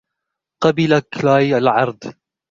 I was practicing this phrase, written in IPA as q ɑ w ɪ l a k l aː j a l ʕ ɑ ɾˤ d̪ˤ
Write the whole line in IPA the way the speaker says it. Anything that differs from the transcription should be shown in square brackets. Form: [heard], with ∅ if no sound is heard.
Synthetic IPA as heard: q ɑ [b] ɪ l a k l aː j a l ʕ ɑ ɾˤ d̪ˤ